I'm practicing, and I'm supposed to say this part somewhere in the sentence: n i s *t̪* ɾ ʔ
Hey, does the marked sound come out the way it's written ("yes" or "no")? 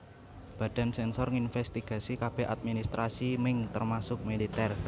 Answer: yes